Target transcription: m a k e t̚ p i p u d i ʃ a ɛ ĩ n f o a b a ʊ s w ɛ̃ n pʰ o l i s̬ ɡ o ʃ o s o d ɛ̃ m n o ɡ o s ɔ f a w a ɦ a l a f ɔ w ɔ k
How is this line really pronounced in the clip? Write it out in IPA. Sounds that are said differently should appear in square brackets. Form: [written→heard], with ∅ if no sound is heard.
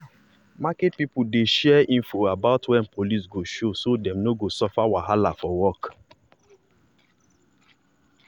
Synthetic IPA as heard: m a k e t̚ p i p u d [i→e] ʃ [a→ɛ] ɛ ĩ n f o a b a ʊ [s→t] w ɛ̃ n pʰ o l i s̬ ɡ o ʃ o s o d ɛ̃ m n o ɡ o s ɔ f a w a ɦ a l a f ɔ w ɔ k